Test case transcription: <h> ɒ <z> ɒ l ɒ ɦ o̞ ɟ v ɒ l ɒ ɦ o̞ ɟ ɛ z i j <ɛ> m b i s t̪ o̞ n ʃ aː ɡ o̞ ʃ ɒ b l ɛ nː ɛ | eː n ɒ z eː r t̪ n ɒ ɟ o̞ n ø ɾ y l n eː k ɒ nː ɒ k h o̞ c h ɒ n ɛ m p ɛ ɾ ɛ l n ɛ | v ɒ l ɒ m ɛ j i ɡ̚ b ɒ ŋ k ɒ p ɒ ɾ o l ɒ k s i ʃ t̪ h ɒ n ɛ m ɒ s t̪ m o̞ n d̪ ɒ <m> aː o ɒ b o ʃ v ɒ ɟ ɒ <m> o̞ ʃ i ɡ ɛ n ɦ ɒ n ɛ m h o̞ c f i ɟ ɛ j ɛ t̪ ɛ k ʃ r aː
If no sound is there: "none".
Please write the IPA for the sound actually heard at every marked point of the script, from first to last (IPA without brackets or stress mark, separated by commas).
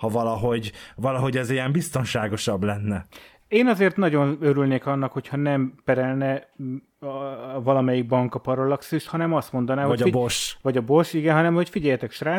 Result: h, v, ɛ, n, b